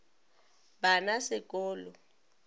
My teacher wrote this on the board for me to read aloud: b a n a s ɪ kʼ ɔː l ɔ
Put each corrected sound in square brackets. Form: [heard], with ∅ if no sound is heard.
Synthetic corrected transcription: b a n a s ɪ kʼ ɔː l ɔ